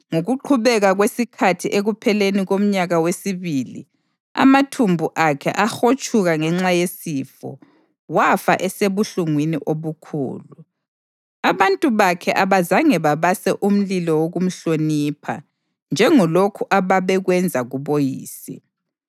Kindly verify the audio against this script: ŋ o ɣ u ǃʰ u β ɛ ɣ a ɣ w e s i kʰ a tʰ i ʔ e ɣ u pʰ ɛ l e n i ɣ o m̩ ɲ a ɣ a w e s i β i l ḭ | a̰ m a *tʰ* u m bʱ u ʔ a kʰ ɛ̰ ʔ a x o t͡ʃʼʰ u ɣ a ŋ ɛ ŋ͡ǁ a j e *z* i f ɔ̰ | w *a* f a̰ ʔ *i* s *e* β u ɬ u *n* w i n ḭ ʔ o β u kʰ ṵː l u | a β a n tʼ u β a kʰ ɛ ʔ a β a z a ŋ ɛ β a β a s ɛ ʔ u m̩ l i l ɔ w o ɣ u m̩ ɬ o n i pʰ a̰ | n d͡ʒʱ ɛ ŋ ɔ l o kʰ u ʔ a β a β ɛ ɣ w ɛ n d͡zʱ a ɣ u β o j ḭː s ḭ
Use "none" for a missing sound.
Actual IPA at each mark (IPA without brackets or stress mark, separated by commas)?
tʰ, s, a, ɛ, e, ŋ